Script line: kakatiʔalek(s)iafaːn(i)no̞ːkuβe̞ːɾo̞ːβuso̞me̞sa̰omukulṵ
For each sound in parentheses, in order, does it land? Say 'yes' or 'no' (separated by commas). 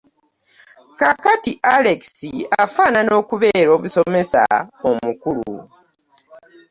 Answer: yes, no